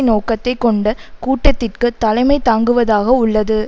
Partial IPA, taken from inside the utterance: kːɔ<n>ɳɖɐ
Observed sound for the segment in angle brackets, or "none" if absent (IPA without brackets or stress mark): none